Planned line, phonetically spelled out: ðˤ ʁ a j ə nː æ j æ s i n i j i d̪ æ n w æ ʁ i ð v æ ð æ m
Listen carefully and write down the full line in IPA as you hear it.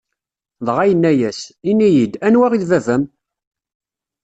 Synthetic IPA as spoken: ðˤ ʁ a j ə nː æ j æ s i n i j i d̪ æ n w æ ʁ i ð v æ v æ m

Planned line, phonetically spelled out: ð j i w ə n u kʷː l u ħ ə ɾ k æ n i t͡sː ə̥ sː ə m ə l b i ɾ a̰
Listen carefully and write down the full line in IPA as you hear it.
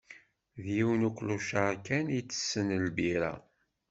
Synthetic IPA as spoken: ð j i w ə n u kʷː l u ʃ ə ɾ k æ n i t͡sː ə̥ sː ə n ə l b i ɾ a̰

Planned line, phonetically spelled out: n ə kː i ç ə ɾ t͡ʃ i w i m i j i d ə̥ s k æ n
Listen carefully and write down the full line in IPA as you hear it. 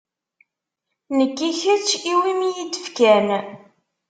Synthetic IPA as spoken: n ə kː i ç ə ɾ t͡ʃ i w i m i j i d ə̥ f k æ n

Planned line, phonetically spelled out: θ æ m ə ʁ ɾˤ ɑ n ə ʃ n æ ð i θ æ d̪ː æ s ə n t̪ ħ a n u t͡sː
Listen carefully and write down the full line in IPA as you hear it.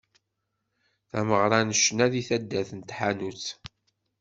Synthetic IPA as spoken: θ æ m ə ʁ ɾˤ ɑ n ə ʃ n æ ð i θ æ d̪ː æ θ ə n t̪ ħ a n u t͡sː

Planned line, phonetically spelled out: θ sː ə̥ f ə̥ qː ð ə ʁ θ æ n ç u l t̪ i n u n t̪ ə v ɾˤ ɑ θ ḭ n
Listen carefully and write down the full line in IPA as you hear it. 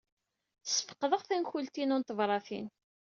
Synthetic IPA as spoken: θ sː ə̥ f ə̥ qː ð ə ʁ θ æ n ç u l t̪ i n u n t̪ ə v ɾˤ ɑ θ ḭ n

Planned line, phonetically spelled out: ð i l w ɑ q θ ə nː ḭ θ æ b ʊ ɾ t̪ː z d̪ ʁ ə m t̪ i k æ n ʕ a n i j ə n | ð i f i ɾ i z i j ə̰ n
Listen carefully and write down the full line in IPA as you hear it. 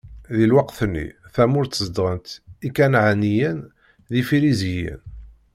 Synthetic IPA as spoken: ð i l w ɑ q θ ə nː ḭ θ æ m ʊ ɾ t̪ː z d̪ ʁ ə n t̪ i k æ n ʕ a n i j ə n | ð i f i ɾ i z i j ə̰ n

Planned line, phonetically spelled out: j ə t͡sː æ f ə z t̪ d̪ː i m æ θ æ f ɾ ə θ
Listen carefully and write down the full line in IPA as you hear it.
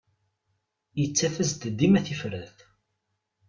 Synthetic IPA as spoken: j ə t͡sː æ f ə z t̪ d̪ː i m æ θ i f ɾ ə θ

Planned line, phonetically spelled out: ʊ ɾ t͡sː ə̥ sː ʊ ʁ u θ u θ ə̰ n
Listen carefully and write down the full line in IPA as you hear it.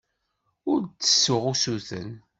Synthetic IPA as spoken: ʊ ɾ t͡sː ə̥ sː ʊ ʁ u s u θ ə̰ n

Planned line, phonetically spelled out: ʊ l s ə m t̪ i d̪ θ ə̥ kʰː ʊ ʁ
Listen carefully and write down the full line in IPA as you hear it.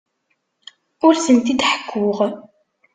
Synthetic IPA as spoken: ʊ ɾ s ə n t̪ i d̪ ħ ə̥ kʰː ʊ ʁ

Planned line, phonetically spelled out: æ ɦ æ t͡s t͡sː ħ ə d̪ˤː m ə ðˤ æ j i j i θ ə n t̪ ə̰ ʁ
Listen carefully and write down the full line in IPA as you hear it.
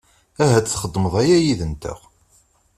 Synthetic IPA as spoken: æ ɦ æ t͡s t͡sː χ ə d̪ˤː m ə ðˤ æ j æ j i ð ə n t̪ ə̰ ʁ

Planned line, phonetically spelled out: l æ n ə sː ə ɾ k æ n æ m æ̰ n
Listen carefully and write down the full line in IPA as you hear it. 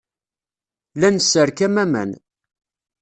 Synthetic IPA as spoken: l æ n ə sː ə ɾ k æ m æ m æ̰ n

